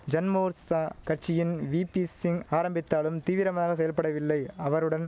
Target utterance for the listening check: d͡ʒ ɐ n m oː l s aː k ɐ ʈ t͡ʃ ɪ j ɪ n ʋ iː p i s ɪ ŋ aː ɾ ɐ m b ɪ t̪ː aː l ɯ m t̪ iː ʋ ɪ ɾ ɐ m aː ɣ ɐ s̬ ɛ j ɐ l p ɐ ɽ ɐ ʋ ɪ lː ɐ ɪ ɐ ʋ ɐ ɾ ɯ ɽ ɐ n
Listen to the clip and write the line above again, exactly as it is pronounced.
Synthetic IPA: d͡ʒ ɐ n m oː ɾ s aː k ɐ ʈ t͡ʃ ɪ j ɪ n ʋ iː p i s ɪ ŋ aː ɾ ɐ m b ɪ t̪ː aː l ɯ m t̪ iː ʋ ɪ ɾ ɐ m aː ɣ ɐ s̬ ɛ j ɐ l p ɐ ɽ ɐ ʋ ɪ lː ɐ ɪ ɐ ʋ ɐ ɾ ɯ ɽ ɐ n